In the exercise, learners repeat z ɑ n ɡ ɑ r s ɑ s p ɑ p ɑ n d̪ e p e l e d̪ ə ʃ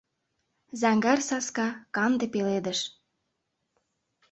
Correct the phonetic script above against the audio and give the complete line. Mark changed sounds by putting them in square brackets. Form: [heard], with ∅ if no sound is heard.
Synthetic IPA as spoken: z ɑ [ŋ] ɡ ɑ r s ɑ s [k] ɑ [k] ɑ n d̪ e p e l e d̪ ə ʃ

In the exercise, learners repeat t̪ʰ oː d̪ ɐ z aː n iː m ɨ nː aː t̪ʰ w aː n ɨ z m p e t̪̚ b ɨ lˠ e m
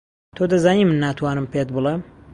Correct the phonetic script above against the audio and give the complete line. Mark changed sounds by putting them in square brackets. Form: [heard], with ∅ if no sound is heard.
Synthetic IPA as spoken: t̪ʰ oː d̪ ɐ z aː n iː m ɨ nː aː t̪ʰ w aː n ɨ [∅] m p e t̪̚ b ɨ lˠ e m

